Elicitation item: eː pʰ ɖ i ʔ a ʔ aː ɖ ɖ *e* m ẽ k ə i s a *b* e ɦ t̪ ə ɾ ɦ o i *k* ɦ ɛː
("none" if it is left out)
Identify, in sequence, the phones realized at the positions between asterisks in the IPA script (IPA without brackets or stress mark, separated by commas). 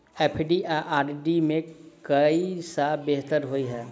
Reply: i, b, none